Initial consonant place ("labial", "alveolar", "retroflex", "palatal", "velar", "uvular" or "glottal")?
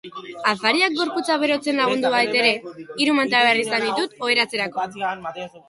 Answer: labial